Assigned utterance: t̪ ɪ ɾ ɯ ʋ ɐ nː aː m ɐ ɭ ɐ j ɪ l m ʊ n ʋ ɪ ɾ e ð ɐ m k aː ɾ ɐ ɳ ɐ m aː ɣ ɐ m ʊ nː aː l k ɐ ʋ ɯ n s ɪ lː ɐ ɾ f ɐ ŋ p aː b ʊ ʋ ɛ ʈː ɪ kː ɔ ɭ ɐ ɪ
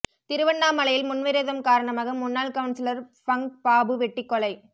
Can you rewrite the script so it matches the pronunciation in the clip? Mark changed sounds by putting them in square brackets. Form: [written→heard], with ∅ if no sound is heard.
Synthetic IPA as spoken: t̪ ɪ ɾ ɯ ʋ ɐ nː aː m ɐ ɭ ɐ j ɪ l m ʊ n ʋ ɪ ɾ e ð ɐ m k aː ɾ ɐ ɳ ɐ m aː ɣ ɐ m ʊ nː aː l k ɐ ʋ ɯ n s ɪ [lː→l] ɐ ɾ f ɐ ŋ p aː b [ʊ→ɯ] ʋ ɛ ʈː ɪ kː ɔ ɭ ɐ ɪ

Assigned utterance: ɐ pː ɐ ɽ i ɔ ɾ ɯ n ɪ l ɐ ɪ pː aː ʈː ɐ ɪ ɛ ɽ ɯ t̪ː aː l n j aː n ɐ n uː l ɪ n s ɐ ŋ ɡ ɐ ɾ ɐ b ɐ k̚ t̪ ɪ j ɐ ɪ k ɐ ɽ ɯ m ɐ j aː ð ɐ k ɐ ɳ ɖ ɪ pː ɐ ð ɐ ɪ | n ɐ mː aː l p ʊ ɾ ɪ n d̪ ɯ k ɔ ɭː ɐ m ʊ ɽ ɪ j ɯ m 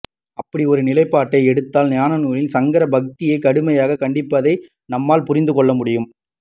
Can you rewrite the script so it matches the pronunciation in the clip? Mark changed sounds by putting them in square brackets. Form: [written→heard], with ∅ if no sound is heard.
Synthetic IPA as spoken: ɐ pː ɐ ɽ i ɔ ɾ ɯ n ɪ l ɐ ɪ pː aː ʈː ɐ ɪ ɛ ɽ ɯ t̪ː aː l n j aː n ɐ n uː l ɪ n s ɐ ŋ ɡ ɐ ɾ ɐ b ɐ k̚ t̪ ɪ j ɐ ɪ k ɐ ɽ ɯ m ɐ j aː [ð→ɣ] ɐ k ɐ ɳ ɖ ɪ pː ɐ ð ɐ ɪ | n ɐ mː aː l p ʊ ɾ ɪ n d̪ ɯ k ɔ ɭː ɐ m ʊ ɽ ɪ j ɯ m

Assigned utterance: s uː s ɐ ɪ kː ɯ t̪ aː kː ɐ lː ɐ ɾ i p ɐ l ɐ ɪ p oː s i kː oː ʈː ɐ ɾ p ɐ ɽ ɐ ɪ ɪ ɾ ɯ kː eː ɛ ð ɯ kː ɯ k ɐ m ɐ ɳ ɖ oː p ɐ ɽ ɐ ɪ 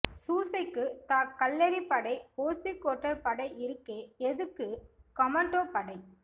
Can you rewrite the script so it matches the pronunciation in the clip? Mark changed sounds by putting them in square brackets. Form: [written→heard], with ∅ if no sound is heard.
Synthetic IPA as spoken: s uː s ɐ ɪ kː ɯ t̪ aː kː ɐ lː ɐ ɾ i p ɐ [l→ɽ] ɐ ɪ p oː s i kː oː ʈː ɐ ɾ p ɐ ɽ ɐ ɪ ɪ ɾ ɯ kː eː ɛ ð ɯ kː ɯ k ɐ m ɐ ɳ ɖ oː p ɐ ɽ ɐ ɪ

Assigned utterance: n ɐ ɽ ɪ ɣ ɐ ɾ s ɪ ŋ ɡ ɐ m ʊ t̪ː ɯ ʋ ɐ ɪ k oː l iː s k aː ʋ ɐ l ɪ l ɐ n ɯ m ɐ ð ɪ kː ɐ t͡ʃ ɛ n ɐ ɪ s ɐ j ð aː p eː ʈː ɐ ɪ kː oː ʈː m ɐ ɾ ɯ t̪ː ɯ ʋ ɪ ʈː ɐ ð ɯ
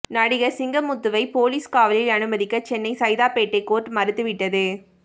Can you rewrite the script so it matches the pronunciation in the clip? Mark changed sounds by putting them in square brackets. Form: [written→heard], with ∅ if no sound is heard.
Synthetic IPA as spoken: n ɐ ɽ ɪ ɣ ɐ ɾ s ɪ ŋ ɡ ɐ m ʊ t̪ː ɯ ʋ ɐ ɪ [k→p] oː l iː s k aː ʋ ɐ l ɪ l ɐ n ɯ m ɐ ð ɪ kː ɐ t͡ʃ ɛ [n→nː] ɐ ɪ s ɐ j ð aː p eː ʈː ɐ ɪ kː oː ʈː m ɐ ɾ ɯ t̪ː ɯ ʋ ɪ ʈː ɐ ð ɯ

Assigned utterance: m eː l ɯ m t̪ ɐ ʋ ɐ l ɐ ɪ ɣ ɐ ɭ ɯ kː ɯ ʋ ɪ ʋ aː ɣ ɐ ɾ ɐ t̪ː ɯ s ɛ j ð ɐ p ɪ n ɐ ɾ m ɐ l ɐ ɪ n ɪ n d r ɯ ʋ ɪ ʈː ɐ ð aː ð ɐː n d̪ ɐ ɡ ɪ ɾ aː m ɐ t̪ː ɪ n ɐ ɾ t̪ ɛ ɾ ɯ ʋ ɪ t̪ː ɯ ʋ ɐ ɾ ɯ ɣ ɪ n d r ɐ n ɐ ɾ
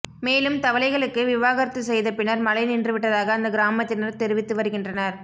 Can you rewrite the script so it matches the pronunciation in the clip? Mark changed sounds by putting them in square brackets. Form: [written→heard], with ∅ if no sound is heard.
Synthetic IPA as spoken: m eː l ɯ m t̪ ɐ ʋ ɐ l ɐ ɪ ɣ ɐ ɭ ɯ kː ɯ ʋ ɪ ʋ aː ɣ ɐ ɾ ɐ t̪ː ɯ s ɛ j ð ɐ p ɪ n ɐ ɾ m ɐ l ɐ ɪ n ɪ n d r ɯ ʋ ɪ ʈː ɐ ð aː [ð→ɣ] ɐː n d̪ ɐ ɡ ɪ ɾ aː m ɐ t̪ː ɪ n ɐ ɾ t̪ ɛ ɾ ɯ ʋ ɪ t̪ː ɯ ʋ ɐ ɾ ɯ ɣ ɪ n d r ɐ n ɐ ɾ

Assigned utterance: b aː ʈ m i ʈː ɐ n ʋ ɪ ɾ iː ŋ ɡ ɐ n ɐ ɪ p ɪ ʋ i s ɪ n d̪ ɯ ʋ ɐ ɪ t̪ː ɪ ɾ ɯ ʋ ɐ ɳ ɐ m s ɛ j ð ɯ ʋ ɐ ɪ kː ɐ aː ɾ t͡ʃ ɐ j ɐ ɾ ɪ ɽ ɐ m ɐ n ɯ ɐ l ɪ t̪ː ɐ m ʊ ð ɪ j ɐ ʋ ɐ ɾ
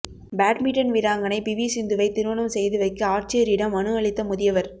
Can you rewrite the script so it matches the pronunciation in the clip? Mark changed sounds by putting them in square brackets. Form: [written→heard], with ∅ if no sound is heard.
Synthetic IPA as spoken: b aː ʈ m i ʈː ɐ n ʋ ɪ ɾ [iː→aː] ŋ ɡ ɐ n ɐ ɪ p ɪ ʋ i s ɪ n d̪ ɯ ʋ ɐ ɪ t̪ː ɪ ɾ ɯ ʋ ɐ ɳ ɐ m s ɛ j ð ɯ ʋ ɐ ɪ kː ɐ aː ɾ t͡ʃ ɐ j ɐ ɾ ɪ ɽ ɐ m ɐ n ɯ ɐ [l→ɭ] ɪ t̪ː ɐ m ʊ ð ɪ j ɐ ʋ ɐ ɾ

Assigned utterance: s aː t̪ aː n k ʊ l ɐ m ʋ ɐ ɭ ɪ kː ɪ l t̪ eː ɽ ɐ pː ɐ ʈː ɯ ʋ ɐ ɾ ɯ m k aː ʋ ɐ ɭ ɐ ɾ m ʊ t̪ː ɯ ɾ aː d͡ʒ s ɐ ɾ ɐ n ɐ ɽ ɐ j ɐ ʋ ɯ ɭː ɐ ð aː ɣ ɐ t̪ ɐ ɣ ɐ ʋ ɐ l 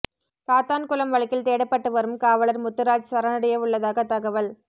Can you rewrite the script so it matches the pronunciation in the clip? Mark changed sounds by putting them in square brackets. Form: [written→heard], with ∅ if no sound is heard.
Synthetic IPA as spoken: s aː t̪ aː n k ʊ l ɐ m ʋ ɐ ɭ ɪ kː ɪ l t̪ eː ɽ ɐ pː ɐ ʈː ɯ ʋ ɐ ɾ ɯ m k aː ʋ ɐ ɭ ɐ ɾ m ʊ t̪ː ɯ ɾ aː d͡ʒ s ɐ ɾ ɐ n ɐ ɽ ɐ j ɐ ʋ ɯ ɭː ɐ ð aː ɣ ɐ t̪ ɐ ɣ ɐ ʋ ɐ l

